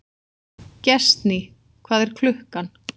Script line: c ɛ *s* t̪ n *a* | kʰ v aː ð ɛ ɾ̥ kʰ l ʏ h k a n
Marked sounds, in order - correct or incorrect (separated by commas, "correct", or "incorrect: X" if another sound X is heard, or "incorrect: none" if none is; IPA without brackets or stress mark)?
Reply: correct, incorrect: i